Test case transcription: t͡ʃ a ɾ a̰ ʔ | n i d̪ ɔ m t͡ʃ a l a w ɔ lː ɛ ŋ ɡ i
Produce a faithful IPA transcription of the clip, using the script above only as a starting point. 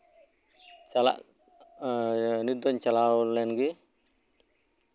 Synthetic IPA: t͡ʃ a l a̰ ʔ | n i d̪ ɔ ɲ t͡ʃ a l a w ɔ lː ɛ n ɡ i